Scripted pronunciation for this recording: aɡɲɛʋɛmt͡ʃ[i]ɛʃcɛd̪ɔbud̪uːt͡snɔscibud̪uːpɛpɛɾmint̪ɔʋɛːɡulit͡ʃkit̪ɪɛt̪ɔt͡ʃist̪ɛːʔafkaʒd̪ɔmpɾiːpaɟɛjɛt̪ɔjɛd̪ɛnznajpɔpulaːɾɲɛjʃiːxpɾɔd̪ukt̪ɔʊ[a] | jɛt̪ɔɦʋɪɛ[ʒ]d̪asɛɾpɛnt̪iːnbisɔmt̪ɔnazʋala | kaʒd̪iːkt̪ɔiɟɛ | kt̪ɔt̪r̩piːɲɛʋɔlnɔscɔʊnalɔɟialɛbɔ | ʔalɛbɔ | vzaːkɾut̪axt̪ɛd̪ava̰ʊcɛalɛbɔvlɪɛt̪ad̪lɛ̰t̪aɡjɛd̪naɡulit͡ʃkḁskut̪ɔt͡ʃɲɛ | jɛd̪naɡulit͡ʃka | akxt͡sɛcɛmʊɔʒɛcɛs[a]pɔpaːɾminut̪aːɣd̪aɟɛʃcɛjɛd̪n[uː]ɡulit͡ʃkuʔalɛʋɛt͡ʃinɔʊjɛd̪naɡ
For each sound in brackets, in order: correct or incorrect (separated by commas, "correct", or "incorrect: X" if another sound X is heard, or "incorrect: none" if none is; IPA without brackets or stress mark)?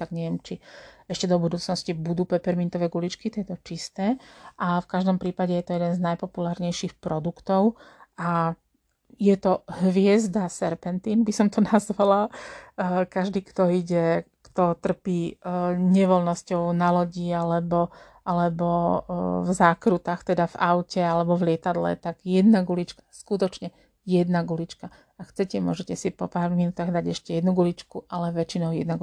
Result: correct, correct, incorrect: z, incorrect: i, incorrect: u